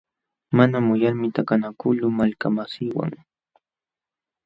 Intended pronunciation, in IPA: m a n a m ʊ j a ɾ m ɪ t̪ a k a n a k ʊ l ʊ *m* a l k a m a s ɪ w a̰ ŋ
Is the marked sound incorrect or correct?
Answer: correct